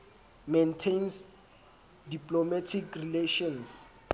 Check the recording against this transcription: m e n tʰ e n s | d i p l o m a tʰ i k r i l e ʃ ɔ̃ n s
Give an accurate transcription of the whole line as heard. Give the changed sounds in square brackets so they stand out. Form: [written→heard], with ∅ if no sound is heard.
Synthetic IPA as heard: m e n tʰ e n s | d i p l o m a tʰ i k r i l e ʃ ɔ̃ n s